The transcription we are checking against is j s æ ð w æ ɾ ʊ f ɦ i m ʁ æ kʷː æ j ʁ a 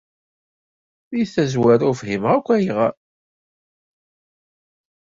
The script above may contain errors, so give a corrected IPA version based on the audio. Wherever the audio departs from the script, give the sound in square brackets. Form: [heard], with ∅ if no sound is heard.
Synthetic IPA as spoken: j [θ] æ [z] w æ ɾ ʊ f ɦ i m ʁ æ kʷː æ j ʁ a